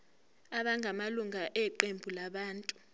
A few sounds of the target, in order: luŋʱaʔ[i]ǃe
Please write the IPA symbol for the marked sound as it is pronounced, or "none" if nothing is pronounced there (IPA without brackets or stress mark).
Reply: ɛ